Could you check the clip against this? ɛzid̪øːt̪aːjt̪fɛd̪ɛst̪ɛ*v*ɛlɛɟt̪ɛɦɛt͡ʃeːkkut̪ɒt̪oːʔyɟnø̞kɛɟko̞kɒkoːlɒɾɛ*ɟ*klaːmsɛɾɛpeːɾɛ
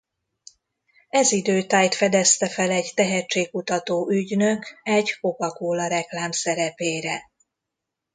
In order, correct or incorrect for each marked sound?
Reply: incorrect, incorrect

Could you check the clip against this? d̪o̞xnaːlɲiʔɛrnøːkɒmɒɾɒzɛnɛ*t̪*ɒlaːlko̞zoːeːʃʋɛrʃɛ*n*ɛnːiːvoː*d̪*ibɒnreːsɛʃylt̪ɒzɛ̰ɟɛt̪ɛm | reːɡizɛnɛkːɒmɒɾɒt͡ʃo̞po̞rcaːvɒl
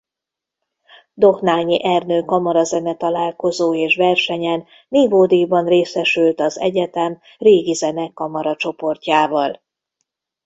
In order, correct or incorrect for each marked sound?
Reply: correct, incorrect, correct

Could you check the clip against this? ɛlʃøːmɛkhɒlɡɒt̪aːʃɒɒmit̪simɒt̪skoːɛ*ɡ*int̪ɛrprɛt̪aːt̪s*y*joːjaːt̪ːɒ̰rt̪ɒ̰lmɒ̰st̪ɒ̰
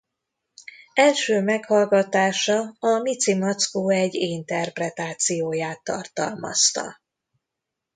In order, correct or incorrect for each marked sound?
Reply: incorrect, incorrect

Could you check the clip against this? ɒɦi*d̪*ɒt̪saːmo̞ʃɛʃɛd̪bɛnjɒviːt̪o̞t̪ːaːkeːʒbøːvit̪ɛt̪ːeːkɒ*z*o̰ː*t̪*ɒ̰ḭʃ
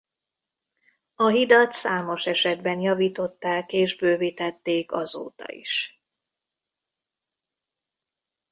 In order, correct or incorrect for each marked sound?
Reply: correct, correct, correct

